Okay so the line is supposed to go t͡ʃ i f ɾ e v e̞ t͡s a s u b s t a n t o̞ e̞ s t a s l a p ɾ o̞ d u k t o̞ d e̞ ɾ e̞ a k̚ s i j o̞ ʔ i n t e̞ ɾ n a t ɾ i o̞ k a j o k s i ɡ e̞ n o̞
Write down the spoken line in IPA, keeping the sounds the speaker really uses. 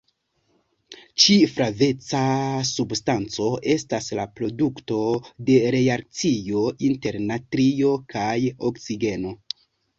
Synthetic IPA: t͡ʃ i f ɾ a v e̞ t͡s a s u b s t a n t͡s o̞ e̞ s t a s l a p ɾ o̞ d u k t o̞ d e̞ ɾ e̞ a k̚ t͡s i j o̞ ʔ i n t e̞ ɾ n a t ɾ i o̞ k a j o k s i ɡ e̞ n o̞